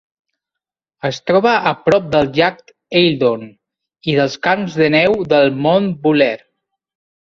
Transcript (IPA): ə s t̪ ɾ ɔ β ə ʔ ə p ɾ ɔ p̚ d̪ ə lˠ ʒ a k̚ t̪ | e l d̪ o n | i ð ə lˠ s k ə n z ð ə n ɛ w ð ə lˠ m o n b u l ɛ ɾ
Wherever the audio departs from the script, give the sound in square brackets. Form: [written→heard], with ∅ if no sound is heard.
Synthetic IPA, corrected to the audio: ə s t̪ ɾ ɔ β ə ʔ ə p ɾ ɔ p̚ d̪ ə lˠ ʒ a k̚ t̪ | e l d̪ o n | i ð ə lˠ s k [ə→a] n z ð ə n ɛ w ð ə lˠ m o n b u l ɛ ɾ